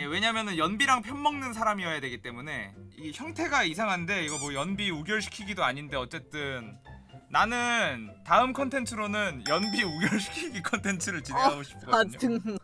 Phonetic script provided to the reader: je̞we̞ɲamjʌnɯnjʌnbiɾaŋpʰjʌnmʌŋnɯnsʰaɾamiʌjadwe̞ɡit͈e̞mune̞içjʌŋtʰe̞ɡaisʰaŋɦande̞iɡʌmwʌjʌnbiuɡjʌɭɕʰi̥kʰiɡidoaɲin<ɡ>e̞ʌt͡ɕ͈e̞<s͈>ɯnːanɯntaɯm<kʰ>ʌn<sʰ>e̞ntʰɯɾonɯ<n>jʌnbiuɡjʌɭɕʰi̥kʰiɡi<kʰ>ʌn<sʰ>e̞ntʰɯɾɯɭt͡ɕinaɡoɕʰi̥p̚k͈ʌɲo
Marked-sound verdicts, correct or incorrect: incorrect, incorrect, correct, incorrect, correct, correct, incorrect

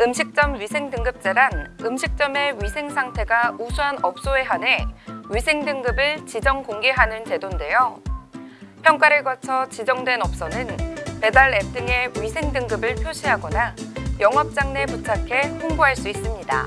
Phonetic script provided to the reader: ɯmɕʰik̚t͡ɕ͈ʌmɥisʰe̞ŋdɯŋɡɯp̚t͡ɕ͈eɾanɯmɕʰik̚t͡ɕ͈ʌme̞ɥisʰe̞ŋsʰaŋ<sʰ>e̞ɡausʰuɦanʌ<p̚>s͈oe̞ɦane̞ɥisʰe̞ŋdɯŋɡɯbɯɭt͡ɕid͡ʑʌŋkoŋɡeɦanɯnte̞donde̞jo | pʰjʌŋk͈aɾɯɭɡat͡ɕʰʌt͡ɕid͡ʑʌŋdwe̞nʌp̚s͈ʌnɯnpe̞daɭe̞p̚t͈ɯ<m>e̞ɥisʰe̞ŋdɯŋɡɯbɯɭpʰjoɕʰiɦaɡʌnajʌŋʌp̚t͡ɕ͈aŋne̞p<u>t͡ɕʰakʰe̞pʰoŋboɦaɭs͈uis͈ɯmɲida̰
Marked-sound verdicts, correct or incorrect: incorrect, correct, incorrect, correct

